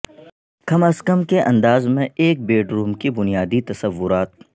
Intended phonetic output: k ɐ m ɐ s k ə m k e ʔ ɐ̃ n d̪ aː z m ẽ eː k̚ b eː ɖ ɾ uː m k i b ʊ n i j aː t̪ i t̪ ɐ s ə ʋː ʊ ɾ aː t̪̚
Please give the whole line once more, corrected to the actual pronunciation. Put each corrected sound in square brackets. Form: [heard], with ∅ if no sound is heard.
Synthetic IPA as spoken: k ɐ m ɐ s k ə m k e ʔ ɐ̃ n d̪ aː z m ẽ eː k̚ b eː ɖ ɾ uː m k i b ʊ n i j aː [d̪] i t̪ ɐ s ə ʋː ʊ ɾ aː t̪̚